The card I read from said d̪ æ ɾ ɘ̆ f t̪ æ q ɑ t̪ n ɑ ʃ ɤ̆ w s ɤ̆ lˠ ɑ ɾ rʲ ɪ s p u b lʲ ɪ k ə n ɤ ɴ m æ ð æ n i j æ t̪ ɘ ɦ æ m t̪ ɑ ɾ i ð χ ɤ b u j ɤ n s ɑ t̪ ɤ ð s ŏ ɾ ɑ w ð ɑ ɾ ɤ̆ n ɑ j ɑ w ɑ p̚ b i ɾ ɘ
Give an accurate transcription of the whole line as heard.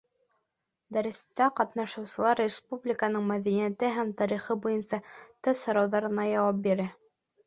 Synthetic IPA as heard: d̪ æ ɾ ɘ̆ s t̪ æ q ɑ t̪ n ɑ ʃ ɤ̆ w s ɤ̆ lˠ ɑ ɾ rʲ ɪ s p u b lʲ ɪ k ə n ɤ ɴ m æ ð æ n i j æ t̪ ɘ ɦ æ m t̪ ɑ ɾ i χ ɤ b u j ɤ n s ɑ t̪ ɤ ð s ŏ ɾ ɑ w ð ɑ ɾ ɤ̆ n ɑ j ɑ w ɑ p̚ b i ɾ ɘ